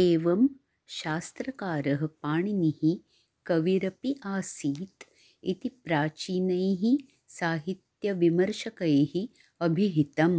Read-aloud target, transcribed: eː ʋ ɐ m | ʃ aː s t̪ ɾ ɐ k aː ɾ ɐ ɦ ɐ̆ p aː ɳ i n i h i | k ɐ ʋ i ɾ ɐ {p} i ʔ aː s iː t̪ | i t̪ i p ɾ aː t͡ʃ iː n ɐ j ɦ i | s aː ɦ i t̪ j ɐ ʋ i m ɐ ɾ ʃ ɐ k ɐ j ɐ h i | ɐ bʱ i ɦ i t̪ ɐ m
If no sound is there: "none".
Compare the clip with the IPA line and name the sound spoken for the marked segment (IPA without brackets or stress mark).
p